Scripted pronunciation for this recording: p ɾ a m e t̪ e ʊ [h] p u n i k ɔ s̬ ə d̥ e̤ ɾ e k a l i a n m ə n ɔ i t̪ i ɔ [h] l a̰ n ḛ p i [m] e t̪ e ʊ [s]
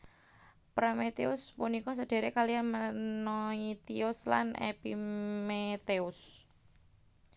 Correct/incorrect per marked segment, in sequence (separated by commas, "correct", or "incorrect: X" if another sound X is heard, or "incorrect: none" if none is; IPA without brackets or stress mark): incorrect: s, incorrect: s, correct, correct